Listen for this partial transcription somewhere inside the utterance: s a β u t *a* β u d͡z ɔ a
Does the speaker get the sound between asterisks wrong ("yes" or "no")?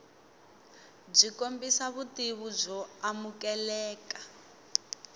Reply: yes